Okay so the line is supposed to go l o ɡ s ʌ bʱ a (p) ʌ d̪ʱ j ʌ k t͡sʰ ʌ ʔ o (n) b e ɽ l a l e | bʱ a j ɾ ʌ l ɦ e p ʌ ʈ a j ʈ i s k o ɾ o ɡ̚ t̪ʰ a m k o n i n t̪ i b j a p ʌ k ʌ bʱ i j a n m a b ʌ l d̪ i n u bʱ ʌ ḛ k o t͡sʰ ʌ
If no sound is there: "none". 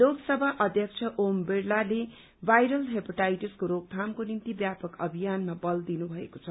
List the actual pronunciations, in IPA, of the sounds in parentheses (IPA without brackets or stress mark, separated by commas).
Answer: ʔ, m